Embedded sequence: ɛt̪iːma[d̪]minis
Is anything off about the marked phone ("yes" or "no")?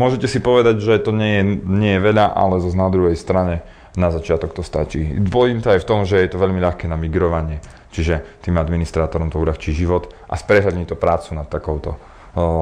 no